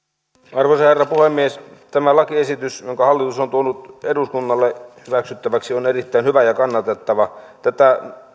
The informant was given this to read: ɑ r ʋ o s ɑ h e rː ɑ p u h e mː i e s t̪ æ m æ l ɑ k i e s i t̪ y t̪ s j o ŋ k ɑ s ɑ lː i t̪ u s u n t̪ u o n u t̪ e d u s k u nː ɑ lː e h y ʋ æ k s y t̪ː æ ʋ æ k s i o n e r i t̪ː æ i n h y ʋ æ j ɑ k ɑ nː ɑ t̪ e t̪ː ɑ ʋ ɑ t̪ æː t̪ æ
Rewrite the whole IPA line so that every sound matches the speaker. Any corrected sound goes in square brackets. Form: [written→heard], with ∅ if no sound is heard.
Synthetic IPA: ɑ r ʋ o s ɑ h e rː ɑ p u h e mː i e s t̪ æ m æ l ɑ k i e s i t̪ y [t̪→∅] s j o ŋ k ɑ [s→h] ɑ lː i t̪ u s [u→o] n t̪ u o n u t̪ e d u s k u nː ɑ lː e h y ʋ æ k s y t̪ː æ ʋ æ k s i o n e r i t̪ː æ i n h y ʋ æ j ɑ k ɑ nː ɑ t̪ e t̪ː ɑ ʋ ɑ t̪ [æː→æ] t̪ æ